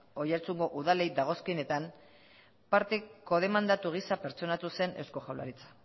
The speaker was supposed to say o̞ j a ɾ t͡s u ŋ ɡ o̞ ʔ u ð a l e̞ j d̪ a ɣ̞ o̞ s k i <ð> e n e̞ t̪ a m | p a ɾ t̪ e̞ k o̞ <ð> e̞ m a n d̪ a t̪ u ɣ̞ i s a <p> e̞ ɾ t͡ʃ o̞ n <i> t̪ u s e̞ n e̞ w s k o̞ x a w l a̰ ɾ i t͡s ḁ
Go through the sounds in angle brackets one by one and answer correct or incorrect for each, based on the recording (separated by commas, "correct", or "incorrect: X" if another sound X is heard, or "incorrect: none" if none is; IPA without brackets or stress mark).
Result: incorrect: none, correct, correct, incorrect: a